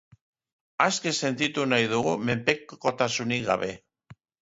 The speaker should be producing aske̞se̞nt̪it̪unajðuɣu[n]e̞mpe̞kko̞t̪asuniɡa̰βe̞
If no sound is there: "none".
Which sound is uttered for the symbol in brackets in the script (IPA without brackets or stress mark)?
m